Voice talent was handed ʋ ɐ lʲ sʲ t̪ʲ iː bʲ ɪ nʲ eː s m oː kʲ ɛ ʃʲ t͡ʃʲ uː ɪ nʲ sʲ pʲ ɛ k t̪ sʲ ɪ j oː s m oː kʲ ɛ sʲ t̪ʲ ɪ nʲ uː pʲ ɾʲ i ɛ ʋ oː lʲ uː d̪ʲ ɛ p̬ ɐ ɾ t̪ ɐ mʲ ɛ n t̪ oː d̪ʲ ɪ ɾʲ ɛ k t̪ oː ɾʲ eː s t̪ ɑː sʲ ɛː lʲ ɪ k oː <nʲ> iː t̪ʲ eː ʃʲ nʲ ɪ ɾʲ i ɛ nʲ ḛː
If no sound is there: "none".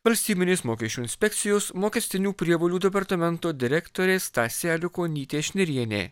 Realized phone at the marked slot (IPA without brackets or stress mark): nʲ